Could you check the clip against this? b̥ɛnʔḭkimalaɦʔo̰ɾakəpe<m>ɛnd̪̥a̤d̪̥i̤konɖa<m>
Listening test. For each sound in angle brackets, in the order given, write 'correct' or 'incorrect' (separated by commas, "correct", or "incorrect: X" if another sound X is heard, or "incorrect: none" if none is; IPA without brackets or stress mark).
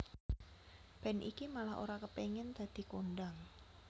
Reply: incorrect: ŋ, incorrect: ŋ